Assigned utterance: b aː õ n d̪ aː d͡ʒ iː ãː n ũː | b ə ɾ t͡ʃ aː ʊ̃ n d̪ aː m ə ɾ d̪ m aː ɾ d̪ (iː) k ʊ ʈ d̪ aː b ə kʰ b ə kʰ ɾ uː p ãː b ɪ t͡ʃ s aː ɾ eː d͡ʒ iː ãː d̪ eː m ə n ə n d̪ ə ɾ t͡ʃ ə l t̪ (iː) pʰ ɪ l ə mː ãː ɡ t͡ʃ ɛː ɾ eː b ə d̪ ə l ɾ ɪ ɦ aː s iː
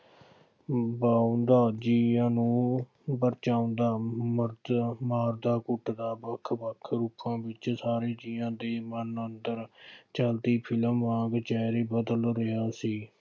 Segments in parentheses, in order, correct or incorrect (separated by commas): incorrect, correct